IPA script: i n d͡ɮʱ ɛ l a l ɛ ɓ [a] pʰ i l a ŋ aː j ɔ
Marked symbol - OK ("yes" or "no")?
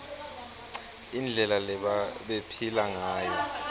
no